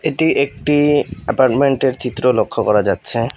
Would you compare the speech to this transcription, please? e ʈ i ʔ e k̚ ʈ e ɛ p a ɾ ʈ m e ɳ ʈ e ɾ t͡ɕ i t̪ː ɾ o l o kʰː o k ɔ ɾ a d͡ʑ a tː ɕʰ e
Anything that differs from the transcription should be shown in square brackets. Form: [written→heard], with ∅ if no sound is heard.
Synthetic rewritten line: e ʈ i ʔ e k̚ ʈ [e→i] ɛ p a ɾ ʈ m e ɳ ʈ e ɾ t͡ɕ i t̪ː ɾ o l o kʰː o k ɔ ɾ a d͡ʑ a tː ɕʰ e

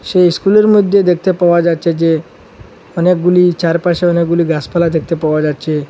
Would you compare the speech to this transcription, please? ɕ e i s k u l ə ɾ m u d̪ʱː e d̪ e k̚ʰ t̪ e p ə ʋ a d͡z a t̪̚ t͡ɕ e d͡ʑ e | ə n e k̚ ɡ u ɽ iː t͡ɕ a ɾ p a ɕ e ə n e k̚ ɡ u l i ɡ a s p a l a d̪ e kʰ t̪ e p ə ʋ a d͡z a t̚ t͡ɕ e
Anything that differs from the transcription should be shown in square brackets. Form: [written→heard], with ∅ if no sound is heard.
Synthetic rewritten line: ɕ e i s k u l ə ɾ m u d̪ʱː e d̪ e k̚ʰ t̪ e p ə ʋ a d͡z a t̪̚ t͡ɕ e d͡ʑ e | ə n e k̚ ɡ u [ɽ→l] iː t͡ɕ a ɾ p a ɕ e ə n e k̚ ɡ u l i ɡ a s p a l a d̪ e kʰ t̪ e p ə ʋ a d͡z a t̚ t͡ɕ e

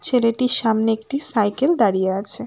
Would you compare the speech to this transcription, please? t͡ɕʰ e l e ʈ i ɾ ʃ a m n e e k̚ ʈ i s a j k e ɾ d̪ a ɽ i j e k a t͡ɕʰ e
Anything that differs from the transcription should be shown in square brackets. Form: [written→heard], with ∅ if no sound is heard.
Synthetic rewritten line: t͡ɕʰ e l e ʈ i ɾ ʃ a m n e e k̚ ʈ i s a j k e [ɾ→l] d̪ a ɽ i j e [k→∅] a t͡ɕʰ e

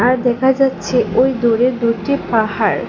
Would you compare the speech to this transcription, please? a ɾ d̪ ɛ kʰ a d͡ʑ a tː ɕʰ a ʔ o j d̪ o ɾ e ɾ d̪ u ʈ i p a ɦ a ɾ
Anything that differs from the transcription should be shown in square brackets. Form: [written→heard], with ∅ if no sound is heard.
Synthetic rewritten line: a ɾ d̪ ɛ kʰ a d͡ʑ a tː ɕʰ [a→e] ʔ o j d̪ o ɾ e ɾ d̪ u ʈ i p a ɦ a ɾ

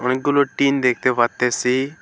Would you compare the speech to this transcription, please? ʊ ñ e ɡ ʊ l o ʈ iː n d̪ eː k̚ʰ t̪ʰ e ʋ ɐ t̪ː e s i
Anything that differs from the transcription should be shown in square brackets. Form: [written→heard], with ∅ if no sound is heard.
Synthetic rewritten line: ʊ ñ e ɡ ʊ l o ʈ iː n d̪ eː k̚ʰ [t̪ʰ→t̪] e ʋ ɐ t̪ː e s i

